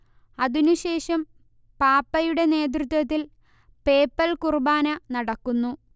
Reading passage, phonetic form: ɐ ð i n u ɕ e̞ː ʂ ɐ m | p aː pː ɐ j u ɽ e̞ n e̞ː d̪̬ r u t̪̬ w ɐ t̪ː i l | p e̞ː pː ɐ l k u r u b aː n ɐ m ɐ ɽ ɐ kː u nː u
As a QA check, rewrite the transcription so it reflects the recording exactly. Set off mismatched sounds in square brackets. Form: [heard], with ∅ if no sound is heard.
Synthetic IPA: ɐ ð i n u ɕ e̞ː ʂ ɐ m | p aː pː ɐ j u ɽ e̞ n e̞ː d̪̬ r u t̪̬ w ɐ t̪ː i l | p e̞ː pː ɐ l k u r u b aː n ɐ [n] ɐ ɽ ɐ kː u nː u